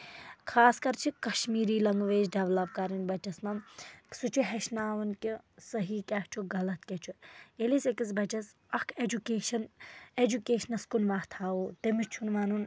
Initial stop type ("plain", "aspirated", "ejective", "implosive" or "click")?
aspirated